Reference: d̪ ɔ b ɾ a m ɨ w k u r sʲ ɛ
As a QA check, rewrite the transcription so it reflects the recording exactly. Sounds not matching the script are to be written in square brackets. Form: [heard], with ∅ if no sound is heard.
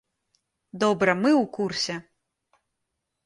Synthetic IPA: d̪ ɔ b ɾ [ɐ] m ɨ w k u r sʲ ɛ